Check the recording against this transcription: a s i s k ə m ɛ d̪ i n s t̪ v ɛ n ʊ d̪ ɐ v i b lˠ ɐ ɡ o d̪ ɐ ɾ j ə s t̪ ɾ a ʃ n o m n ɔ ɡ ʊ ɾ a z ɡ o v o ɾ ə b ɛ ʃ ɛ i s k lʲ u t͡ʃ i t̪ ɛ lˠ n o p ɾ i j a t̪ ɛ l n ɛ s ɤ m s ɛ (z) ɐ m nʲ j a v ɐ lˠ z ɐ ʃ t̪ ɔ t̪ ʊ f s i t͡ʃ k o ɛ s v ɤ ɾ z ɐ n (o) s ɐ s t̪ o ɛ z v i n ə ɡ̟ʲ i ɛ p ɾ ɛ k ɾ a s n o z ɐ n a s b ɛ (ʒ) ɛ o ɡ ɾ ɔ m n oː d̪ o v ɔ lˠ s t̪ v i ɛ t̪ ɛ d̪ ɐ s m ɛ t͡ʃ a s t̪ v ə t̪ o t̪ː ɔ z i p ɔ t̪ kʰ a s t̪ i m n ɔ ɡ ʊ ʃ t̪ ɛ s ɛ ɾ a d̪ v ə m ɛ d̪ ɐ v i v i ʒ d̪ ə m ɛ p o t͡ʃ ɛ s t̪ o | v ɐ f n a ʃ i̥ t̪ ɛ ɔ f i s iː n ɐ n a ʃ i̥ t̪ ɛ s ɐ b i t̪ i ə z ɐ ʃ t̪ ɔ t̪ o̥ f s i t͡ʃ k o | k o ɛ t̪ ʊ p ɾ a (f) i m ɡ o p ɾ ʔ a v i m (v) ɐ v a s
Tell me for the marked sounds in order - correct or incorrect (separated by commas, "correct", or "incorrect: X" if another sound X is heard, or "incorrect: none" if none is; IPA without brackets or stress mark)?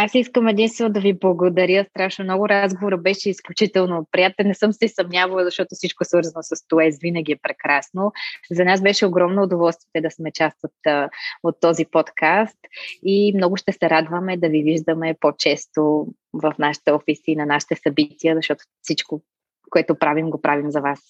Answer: incorrect: s, correct, incorrect: ʃ, incorrect: v, incorrect: z